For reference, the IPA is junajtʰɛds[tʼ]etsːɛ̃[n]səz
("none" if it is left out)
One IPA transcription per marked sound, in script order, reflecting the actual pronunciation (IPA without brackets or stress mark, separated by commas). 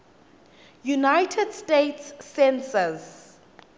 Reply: t, n